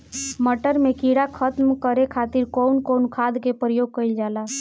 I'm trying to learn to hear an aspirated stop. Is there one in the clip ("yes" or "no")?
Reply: yes